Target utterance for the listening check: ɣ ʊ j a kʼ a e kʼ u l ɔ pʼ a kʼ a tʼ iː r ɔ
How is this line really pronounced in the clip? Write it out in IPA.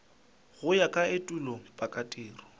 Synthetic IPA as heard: ɣ ʊ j a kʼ a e tʼ u l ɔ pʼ a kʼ a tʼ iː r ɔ

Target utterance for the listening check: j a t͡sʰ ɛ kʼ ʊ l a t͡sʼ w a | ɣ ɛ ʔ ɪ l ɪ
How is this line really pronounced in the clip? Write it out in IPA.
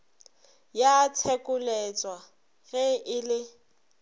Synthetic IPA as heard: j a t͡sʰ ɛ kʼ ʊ l ɛ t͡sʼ w a | ɣ ɛ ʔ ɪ l ɪ

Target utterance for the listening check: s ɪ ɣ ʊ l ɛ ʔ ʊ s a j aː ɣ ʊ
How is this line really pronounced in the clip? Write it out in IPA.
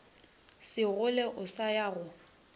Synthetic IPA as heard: s ɪ ɣ ʊ l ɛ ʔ ʊ s a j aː ɣ ʊ

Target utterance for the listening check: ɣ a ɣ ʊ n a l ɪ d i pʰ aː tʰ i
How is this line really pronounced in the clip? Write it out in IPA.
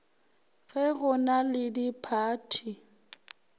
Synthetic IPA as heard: ɣ ɛ ɣ ʊ n a l ɪ d i pʰ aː tʰ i

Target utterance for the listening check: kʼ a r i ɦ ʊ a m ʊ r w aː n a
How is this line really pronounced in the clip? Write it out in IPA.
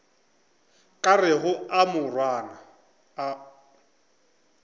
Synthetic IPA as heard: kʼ a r ɪ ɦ ʊ a m ʊ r w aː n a

